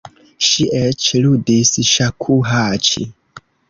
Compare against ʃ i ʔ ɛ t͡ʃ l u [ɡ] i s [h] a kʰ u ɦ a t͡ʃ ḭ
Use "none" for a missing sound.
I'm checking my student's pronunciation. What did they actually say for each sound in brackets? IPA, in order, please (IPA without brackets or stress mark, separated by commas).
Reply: d, ʃ